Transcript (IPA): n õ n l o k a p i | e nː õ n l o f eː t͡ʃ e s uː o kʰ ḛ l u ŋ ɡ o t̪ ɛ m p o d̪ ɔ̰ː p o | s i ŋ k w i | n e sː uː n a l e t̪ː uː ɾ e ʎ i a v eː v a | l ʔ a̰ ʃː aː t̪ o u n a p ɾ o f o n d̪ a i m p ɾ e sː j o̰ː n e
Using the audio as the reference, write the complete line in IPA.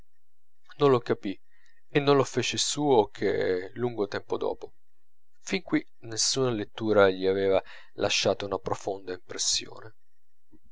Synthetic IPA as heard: n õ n l o k a p i | e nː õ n l o f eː t͡ʃ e s uː o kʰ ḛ l u ŋ ɡ o t̪ ɛ m p o d̪ ɔ̰ː p o | f i ŋ k w i | n e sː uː n a l e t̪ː uː ɾ a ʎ i a v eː v a | l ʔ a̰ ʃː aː t̪ o u n a p ɾ o f o n d̪ a i m p ɾ e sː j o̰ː n e